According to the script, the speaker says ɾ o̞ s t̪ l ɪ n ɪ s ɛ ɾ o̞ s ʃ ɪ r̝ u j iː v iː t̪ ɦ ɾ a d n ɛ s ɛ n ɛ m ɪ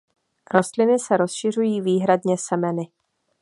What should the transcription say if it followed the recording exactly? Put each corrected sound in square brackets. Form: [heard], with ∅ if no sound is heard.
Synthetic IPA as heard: ɾ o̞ s t̪ l ɪ n ɪ s ɛ ɾ o̞ s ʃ ɪ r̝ u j iː v iː [∅] ɦ ɾ a d [ɲ] ɛ s ɛ [m] ɛ [n] ɪ

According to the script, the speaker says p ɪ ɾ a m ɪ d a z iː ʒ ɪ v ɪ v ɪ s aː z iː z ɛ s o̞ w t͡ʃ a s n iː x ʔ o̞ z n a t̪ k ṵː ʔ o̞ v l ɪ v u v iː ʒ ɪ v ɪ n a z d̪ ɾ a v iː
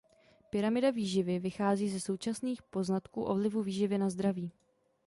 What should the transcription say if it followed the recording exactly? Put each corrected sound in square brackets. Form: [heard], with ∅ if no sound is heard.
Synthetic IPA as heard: p ɪ ɾ a m ɪ d a [v] iː ʒ ɪ v ɪ v ɪ [x] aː z iː z ɛ s o̞ w t͡ʃ a s n iː x [p] o̞ z n a t̪ k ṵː ʔ o̞ v l ɪ v u v iː ʒ ɪ v ɪ n a z d̪ ɾ a v iː

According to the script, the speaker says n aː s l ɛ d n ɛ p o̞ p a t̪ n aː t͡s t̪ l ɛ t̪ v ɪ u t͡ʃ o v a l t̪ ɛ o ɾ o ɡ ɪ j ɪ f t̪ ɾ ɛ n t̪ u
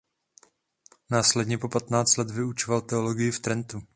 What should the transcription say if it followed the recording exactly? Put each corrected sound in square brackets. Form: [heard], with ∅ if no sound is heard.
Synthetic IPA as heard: n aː s l ɛ d [ɲ] ɛ p o̞ p a t̪ n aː t͡s t̪ l ɛ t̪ v ɪ u t͡ʃ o v a l t̪ ɛ o [l] o ɡ ɪ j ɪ f t̪ ɾ ɛ n t̪ u

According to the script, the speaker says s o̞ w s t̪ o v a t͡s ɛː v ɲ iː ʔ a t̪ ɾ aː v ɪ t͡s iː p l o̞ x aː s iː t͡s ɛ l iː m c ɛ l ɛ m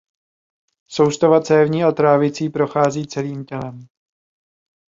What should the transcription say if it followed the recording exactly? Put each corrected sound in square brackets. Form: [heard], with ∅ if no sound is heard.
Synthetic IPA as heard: s o̞ w s t̪ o v a t͡s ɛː v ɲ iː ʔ a t̪ ɾ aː v ɪ t͡s iː p [ɾ] o̞ x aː [z] iː t͡s ɛ l iː m c ɛ l ɛ m

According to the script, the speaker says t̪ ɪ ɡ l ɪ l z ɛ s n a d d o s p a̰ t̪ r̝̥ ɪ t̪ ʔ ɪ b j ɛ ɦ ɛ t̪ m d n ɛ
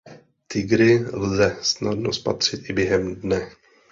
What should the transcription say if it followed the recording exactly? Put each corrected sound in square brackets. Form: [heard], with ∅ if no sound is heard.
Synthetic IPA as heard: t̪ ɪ ɡ [ɾ] ɪ l z ɛ s n a d [n] o s p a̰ t̪ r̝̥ ɪ t̪ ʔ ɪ b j ɛ ɦ ɛ [∅] m d n ɛ

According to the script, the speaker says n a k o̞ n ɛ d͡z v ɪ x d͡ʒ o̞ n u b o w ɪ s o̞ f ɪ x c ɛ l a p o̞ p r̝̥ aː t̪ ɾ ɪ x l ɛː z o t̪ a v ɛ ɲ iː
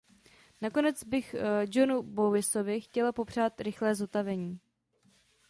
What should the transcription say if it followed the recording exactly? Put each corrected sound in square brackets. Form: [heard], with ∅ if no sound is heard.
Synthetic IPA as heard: n a k o̞ n ɛ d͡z [b] ɪ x d͡ʒ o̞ n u b o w ɪ s o̞ [v] ɪ x c ɛ l a p o̞ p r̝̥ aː t̪ ɾ ɪ x l ɛː z o t̪ a v ɛ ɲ iː

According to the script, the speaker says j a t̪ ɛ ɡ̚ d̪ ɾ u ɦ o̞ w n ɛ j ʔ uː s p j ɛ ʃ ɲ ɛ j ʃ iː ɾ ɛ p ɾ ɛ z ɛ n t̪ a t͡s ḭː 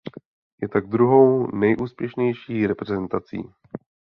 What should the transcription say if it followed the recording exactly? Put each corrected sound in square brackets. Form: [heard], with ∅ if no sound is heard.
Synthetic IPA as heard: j [ɛ] t̪ [a] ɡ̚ d̪ ɾ u ɦ o̞ w n ɛ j ʔ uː s p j ɛ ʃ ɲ ɛ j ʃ iː ɾ ɛ p ɾ ɛ z ɛ n t̪ a t͡s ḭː

